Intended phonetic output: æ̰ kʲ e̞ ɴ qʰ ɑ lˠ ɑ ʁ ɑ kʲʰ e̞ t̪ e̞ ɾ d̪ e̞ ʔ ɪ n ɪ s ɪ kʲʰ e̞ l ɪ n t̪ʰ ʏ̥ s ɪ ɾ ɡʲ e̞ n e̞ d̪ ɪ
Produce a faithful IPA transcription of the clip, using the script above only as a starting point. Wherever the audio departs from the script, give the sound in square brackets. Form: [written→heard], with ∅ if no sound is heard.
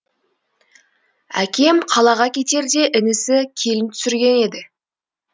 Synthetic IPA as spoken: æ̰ kʲ e̞ [ɴ→m] qʰ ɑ lˠ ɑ ʁ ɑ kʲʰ e̞ t̪ e̞ ɾ d̪ e̞ ʔ ɪ n ɪ s ɪ kʲʰ e̞ l ɪ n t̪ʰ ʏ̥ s ɪ ɾ ɡʲ e̞ n e̞ d̪ ɪ